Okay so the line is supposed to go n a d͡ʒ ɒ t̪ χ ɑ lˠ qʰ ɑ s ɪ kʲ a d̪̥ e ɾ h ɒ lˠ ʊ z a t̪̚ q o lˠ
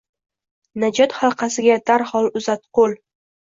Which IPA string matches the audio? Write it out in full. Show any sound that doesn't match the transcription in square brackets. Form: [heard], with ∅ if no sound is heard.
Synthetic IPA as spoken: n a d͡ʒ ɒ t̪ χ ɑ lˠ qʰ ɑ s ɪ [ɡʲ] a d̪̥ [a] ɾ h ɒ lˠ ʊ z a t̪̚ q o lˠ